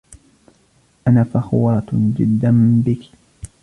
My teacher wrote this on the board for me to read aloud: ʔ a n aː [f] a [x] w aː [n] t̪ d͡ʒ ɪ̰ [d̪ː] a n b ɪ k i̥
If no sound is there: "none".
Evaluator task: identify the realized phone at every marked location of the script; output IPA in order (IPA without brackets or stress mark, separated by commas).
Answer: f, x, none, d̪ː